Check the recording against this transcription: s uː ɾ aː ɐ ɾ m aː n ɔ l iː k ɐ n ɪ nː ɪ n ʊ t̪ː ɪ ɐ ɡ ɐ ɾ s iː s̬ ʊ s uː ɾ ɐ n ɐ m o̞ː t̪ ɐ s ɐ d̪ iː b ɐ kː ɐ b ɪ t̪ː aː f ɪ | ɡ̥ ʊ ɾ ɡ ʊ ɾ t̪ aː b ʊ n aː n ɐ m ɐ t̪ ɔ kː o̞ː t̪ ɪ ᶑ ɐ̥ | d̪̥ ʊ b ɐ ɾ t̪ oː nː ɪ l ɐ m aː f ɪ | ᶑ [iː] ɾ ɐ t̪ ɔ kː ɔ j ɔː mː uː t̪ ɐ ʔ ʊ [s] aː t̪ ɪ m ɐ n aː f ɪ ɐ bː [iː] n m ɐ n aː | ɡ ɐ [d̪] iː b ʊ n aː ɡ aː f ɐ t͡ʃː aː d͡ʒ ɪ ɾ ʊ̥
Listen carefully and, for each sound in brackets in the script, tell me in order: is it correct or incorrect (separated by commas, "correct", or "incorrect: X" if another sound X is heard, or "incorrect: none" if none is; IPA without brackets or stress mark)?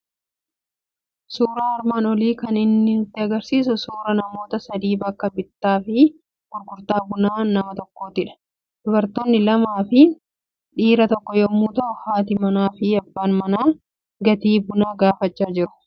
correct, incorrect: h, incorrect: aː, incorrect: t̪